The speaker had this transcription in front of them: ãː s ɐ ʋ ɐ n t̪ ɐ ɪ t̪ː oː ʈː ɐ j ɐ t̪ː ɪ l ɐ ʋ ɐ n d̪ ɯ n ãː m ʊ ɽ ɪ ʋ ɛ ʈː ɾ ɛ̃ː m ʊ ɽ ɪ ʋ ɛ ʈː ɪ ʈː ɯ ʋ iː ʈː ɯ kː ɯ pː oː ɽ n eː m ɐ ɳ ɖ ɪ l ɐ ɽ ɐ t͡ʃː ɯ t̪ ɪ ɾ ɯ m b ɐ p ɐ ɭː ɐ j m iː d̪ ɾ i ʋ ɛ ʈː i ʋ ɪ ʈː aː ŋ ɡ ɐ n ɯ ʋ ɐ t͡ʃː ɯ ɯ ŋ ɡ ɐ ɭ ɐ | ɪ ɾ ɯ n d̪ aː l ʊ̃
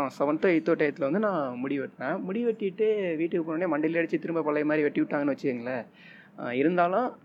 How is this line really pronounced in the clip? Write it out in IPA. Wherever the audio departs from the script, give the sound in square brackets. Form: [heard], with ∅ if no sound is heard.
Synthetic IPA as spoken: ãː s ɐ ʋ ɐ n t̪ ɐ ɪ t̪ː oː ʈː ɐ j ɐ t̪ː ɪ l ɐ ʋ ɐ n d̪ ɯ n ãː m ʊ ɽ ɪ ʋ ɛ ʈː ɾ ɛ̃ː m ʊ ɽ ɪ ʋ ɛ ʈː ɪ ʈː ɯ ʋ iː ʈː ɯ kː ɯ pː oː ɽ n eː m ɐ ɳ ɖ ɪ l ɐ ɽ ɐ t͡ʃː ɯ t̪ ɪ ɾ ɯ m b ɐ p ɐ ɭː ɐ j m [aː] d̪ ɾ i ʋ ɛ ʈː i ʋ ɪ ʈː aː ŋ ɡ ɐ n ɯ ʋ ɐ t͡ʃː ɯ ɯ ŋ ɡ ɐ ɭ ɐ | ɪ ɾ ɯ n d̪ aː l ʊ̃